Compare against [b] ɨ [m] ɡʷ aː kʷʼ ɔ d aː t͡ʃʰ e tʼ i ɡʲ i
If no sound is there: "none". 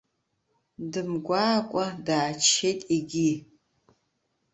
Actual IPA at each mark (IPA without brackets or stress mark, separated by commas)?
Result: d, m